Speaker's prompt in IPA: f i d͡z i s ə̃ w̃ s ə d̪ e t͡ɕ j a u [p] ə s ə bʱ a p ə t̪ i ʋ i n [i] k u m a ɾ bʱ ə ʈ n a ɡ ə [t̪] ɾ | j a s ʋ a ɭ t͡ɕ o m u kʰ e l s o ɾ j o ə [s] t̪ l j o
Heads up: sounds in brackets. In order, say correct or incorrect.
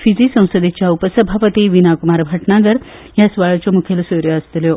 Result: correct, incorrect, incorrect, correct

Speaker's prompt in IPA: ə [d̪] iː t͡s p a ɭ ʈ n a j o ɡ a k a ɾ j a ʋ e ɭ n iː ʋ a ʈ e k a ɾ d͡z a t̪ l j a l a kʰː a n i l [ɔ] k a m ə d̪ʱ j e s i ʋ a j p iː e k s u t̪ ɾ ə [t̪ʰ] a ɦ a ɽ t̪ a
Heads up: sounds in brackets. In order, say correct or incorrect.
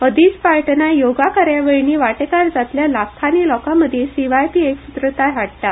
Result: correct, correct, incorrect

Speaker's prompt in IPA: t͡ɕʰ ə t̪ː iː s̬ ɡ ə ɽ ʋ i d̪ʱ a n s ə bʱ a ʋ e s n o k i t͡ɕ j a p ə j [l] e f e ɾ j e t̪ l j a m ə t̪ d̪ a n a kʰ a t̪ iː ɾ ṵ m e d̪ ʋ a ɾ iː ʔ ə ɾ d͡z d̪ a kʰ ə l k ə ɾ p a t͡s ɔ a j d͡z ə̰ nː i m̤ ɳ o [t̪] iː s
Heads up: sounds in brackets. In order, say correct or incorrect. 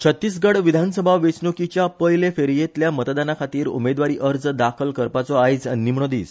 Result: correct, incorrect

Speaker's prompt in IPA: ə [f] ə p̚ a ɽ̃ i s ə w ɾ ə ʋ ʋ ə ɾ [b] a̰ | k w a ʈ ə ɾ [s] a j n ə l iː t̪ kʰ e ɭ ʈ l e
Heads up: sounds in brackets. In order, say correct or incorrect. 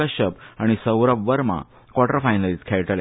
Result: incorrect, incorrect, incorrect

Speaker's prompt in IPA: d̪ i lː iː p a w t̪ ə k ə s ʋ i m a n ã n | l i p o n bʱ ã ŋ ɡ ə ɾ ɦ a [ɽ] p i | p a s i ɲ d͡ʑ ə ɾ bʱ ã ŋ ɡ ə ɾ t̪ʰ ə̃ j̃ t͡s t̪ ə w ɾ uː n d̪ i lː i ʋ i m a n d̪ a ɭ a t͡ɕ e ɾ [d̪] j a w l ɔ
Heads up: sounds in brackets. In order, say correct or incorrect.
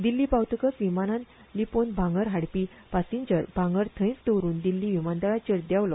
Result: correct, correct

